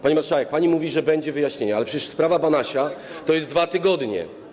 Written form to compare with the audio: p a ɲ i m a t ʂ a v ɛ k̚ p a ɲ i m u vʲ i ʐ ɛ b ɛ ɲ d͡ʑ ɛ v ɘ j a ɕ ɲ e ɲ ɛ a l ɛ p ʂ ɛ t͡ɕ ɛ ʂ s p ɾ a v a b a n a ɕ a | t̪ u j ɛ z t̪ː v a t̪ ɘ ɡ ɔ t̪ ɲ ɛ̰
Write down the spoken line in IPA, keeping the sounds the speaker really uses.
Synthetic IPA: p a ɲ i m a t ʂ a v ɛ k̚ p a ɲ i m u vʲ i ʐ ɛ b ɛ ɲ d͡ʑ ɛ v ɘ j a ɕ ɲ e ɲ ɛ a l ɛ p ʂ ɛ t͡ɕ ɛ ʂ s p ɾ a v a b a n a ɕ a | t̪ ɔ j ɛ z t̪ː v a t̪ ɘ ɡ ɔ d̪ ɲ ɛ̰